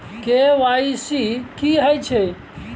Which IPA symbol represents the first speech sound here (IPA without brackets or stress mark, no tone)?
k